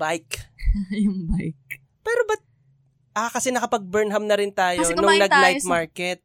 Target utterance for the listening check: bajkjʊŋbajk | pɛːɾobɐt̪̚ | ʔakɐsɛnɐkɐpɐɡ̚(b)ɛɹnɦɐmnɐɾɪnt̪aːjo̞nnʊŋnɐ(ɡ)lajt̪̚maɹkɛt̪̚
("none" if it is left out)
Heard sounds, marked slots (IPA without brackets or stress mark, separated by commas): b, ɡ